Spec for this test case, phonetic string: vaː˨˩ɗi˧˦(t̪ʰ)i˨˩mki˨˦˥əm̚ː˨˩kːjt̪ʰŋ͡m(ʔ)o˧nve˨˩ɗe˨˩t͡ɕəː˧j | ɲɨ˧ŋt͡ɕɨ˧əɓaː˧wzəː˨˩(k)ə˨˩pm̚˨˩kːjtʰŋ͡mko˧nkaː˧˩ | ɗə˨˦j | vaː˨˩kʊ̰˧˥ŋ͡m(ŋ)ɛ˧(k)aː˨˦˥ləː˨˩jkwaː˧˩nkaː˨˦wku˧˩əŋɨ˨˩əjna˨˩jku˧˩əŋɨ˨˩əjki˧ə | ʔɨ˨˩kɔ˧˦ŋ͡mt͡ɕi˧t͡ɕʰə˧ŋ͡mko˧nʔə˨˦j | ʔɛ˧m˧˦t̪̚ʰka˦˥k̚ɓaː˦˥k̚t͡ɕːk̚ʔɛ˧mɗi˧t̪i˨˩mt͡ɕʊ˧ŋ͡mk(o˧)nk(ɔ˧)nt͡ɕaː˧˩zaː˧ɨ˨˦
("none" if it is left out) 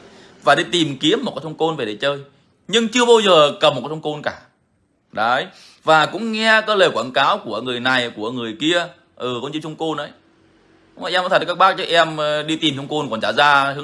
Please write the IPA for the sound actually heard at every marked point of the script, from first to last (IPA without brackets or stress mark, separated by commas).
t̪, k, k, ŋ, k, o˧, ɔ˨˩